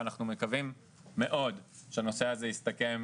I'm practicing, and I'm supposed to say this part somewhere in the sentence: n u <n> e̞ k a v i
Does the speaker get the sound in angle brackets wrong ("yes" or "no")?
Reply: yes